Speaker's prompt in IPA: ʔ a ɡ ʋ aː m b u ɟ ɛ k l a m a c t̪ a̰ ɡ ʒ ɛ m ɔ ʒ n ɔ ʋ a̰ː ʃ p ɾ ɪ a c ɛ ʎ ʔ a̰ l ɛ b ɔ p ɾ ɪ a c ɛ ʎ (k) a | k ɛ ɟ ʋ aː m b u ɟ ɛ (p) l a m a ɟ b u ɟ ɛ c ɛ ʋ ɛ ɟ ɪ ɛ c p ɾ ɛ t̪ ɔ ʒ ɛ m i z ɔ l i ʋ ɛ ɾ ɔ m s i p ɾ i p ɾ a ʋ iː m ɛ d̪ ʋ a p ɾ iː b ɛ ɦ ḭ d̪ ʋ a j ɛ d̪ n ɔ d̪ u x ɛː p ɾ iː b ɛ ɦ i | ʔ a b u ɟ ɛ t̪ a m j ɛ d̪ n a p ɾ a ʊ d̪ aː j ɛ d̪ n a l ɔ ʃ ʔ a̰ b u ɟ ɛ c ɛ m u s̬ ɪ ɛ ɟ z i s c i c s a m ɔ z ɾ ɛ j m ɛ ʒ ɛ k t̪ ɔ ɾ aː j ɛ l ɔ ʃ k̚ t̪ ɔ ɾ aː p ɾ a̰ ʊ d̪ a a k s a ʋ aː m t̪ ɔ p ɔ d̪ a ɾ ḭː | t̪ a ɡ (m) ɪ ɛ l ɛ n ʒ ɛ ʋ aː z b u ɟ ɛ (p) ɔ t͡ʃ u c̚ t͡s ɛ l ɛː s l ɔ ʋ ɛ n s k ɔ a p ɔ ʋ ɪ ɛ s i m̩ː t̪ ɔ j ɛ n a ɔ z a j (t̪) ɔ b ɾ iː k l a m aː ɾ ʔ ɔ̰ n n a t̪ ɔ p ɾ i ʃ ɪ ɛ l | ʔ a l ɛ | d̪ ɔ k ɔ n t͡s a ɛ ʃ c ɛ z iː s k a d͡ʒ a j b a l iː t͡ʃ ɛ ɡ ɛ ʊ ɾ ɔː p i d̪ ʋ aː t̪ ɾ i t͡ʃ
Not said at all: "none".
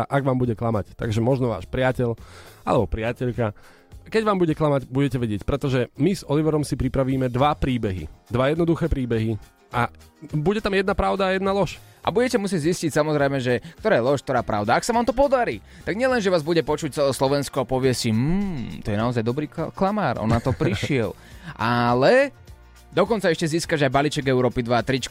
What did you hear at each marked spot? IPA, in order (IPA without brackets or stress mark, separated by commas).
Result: k, k, ɲ, p, d̪